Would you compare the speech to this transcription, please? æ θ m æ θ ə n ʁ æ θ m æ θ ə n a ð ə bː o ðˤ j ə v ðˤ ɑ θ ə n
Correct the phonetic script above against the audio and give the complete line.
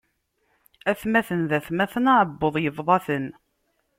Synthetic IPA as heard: æ θ m æ θ ə n ð æ θ m æ θ ə n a ʕ ə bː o ðˤ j ə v ðˤ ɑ θ ə n